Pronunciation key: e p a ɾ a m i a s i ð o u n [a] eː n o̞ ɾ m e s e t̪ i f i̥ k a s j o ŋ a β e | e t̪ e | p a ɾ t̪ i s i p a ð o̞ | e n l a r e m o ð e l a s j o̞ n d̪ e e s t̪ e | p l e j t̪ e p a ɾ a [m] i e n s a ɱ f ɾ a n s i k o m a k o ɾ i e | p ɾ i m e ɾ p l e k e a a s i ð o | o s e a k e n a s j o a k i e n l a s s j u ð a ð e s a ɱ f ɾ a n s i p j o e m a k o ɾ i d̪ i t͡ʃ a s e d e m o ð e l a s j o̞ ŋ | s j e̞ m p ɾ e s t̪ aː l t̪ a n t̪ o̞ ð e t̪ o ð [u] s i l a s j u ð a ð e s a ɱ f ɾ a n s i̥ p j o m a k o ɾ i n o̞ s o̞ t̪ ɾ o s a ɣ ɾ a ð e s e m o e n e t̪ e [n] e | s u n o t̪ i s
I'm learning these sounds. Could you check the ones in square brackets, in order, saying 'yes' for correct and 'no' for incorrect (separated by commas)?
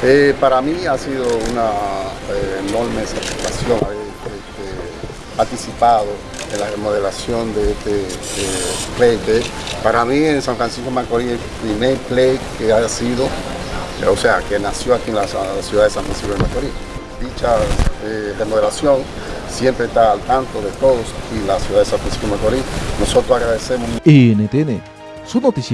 yes, yes, no, yes